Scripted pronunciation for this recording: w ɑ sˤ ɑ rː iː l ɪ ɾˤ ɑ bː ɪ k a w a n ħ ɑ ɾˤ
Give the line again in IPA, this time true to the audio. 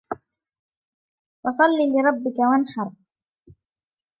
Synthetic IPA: w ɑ sˤ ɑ lː iː l ɪ ɾˤ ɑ bː ɪ k a w a n ħ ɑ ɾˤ